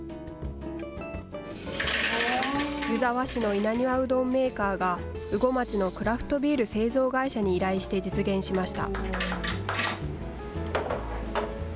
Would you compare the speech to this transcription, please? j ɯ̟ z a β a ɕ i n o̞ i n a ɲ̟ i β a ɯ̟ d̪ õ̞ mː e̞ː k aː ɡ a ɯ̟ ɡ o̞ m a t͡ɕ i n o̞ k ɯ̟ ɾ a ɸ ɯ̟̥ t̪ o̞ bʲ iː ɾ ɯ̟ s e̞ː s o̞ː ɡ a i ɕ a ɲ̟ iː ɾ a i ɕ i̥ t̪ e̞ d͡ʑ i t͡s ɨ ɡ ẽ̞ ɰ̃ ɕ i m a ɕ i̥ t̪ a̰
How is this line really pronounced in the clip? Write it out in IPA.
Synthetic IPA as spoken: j ɯ̟ z a β a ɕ i n o̞ i n a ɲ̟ i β a ɯ̟ d̪ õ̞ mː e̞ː k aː ɡ a ɯ̟ ɡ o̞ m a t͡ɕ i n o̞ k ɯ̟ ɾ a ɸ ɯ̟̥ t̪ o̞ bʲ iː ɾ ɯ̟ s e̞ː z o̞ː ɡ a i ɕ a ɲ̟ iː ɾ a i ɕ i̥ t̪ e̞ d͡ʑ i t͡s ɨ ɡ ẽ̞ ɰ̃ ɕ i m a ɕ i̥ t̪ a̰